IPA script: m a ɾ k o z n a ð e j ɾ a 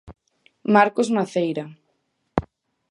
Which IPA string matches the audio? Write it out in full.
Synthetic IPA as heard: m a ɾ k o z m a θ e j ɾ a